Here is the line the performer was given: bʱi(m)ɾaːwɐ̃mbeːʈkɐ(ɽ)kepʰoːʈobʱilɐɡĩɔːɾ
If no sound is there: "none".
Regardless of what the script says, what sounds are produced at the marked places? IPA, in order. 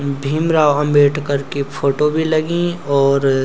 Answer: m, ɾ

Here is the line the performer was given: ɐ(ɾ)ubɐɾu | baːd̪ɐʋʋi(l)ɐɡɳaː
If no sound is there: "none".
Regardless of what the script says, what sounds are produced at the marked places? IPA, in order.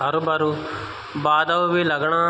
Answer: ɾ, l

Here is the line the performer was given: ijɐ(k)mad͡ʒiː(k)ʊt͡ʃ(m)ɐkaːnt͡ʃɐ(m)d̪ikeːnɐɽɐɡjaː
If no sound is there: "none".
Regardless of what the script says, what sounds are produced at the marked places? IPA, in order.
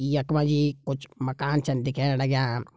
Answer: k, k, m, n

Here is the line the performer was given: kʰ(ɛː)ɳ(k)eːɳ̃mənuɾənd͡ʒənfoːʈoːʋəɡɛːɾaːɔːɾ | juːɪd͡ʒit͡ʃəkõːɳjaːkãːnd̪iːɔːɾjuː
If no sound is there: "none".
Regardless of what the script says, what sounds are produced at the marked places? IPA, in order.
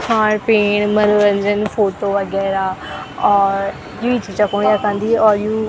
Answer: aː, p

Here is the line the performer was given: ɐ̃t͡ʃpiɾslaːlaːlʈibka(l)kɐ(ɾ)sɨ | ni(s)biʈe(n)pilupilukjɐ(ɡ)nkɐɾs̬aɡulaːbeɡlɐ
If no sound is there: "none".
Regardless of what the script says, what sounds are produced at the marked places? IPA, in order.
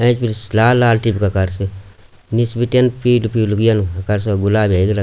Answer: none, ɾ, s, n, none

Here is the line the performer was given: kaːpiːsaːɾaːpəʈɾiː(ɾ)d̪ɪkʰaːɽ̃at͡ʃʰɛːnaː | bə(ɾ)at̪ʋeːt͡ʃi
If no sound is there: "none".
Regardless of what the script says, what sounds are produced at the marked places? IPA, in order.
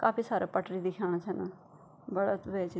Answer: none, ɽ

